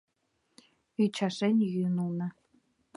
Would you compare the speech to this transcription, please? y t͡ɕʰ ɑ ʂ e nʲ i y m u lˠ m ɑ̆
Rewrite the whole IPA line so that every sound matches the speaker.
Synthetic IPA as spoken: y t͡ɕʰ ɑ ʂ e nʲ j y n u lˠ n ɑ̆